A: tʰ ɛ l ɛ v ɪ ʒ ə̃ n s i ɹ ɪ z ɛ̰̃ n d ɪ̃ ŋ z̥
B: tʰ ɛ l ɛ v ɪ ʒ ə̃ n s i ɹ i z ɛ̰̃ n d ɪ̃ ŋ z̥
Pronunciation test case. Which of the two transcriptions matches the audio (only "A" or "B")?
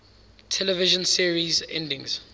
B